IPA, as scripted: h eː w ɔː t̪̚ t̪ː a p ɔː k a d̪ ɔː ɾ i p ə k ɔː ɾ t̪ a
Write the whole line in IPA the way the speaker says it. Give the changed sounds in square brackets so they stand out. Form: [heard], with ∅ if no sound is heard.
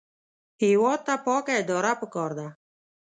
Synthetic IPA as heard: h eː w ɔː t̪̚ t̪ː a p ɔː k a d̪ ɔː ɾ [a] p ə k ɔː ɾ [d̪] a